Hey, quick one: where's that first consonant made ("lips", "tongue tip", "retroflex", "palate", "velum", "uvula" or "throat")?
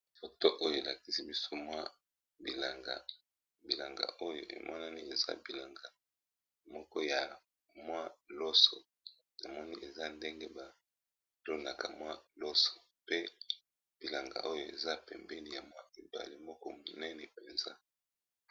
lips